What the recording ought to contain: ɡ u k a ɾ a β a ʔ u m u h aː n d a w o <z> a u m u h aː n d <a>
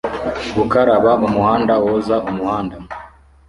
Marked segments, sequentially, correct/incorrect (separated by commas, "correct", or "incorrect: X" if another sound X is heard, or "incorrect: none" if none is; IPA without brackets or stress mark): correct, correct